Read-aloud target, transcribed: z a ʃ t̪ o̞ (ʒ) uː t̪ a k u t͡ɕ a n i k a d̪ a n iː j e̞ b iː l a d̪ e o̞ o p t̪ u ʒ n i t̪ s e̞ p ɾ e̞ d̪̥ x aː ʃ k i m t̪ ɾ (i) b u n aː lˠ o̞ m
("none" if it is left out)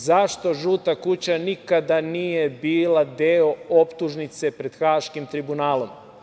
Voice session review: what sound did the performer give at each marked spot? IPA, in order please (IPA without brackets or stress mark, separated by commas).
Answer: ʒ, i